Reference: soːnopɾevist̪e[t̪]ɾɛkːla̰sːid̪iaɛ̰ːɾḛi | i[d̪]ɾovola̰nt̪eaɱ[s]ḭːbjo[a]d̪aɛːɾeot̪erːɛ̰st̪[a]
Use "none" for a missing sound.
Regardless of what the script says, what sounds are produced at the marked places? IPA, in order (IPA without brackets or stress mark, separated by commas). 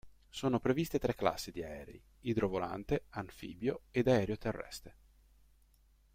t̪, d̪, f, e, e